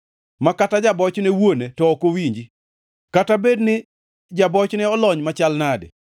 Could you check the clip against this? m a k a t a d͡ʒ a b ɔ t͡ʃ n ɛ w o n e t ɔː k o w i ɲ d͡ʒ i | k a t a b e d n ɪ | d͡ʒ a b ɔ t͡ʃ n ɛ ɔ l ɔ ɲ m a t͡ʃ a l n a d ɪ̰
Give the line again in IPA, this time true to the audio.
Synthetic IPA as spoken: m a k a t a d͡ʒ a b ɔ t͡ʃ n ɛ w o n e t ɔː k o w i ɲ d͡ʒ i | k a t a b e d n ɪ | d͡ʒ a b ɔ t͡ʃ n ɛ ɔ l ɔ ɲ m a t͡ʃ a l n a d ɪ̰